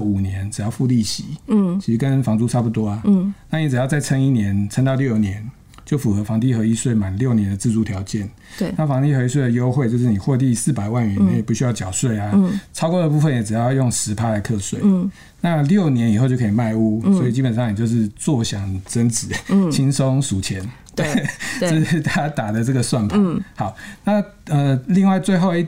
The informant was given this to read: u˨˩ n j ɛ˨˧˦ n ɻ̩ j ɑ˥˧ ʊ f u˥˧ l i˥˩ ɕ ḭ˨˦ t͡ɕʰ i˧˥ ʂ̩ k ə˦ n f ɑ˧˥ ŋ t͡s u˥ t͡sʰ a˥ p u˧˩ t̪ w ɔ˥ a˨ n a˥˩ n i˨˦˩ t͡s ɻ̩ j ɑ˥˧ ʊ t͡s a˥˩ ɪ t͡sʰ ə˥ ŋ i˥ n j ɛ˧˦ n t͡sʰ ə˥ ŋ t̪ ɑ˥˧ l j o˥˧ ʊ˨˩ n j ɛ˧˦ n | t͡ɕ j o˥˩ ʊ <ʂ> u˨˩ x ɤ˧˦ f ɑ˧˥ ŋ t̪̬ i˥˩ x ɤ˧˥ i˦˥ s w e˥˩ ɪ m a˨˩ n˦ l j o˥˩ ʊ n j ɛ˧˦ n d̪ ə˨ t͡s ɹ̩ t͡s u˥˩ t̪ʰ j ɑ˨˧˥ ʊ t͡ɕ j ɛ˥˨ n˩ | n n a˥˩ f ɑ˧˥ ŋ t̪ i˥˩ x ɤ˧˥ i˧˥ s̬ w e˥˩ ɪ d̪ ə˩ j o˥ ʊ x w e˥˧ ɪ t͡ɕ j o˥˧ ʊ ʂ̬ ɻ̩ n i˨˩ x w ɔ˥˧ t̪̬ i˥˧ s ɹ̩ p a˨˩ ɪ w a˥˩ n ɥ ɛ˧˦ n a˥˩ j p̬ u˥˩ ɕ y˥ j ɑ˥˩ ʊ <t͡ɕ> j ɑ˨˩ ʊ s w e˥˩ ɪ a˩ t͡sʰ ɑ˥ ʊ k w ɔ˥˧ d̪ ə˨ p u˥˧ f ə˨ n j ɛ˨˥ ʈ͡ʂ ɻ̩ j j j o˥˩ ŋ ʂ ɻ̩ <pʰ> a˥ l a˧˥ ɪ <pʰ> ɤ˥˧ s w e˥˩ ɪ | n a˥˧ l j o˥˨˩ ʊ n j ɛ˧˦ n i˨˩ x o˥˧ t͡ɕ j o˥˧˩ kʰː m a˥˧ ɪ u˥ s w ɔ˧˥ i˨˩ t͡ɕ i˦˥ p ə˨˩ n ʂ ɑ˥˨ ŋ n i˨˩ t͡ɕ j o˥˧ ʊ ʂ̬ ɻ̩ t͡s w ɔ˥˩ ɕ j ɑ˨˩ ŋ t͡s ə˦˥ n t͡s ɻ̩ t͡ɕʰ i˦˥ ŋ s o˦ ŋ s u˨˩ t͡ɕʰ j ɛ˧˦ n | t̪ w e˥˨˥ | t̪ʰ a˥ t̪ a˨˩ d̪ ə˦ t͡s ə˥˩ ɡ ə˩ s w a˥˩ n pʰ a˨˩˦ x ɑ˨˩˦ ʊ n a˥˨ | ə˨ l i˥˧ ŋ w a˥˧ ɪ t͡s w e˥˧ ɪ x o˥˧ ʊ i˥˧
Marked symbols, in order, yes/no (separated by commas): no, yes, yes, no